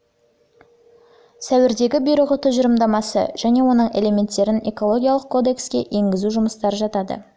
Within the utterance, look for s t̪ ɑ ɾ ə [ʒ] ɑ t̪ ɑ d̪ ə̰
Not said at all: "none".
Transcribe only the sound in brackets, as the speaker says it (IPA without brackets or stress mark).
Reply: ʒ